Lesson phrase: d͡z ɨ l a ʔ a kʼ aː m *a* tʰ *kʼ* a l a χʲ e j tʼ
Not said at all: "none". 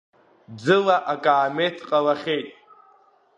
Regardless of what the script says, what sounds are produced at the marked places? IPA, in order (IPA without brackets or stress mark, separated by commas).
e, qʼ